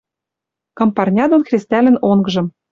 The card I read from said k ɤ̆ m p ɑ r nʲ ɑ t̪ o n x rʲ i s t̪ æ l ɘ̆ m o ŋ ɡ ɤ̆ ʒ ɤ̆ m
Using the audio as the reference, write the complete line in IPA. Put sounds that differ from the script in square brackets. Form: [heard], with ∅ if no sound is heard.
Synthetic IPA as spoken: k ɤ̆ m p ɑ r nʲ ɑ [d̪] o n x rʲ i s t̪ æ l ɘ̆ [n] o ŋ ɡ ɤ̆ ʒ ɤ̆ m